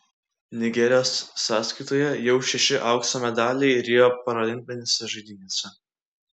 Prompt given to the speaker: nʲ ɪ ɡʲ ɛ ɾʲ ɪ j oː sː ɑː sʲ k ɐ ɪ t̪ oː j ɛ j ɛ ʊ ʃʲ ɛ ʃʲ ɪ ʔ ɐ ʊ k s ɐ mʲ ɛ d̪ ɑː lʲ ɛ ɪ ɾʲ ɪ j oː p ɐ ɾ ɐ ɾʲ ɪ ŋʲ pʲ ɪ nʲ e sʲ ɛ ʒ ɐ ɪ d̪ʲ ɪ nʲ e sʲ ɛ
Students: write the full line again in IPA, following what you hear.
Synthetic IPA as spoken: nʲ ɪ ɡʲ ɛ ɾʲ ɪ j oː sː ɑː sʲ k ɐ ɪ t̪ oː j ɛ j ɛ ʊ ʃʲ ɛ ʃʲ ɪ ʔ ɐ ʊ k s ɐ mʲ ɛ d̪ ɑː lʲ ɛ ɪ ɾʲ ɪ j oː p ɐ ɾ ɐ lʲ ɪ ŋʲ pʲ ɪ nʲ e sʲ ɛ ʒ ɐ ɪ d̪ʲ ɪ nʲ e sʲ ɛ